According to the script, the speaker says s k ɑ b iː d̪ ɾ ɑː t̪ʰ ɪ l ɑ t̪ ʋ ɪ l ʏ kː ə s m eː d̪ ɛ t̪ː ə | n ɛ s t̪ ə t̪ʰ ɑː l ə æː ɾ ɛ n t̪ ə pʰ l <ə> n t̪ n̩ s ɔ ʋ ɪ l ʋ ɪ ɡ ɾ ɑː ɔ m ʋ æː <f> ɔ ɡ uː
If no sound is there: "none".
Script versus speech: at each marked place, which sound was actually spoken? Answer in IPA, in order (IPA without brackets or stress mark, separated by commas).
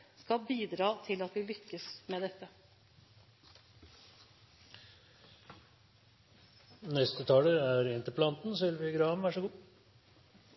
ɑ, ʂ